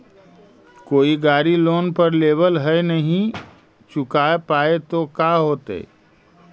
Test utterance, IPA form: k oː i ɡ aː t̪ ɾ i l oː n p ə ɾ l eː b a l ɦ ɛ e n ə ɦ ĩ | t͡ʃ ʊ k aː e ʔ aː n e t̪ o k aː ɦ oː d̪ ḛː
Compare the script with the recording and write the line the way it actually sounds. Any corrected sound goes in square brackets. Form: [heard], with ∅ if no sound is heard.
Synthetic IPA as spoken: k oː i ɡ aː [∅] ɾ i l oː n p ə ɾ l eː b [ə] l ɦ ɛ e n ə ɦ ĩ | t͡ʃ ʊ k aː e [p] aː [∅] e t̪ o k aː ɦ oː [t̪] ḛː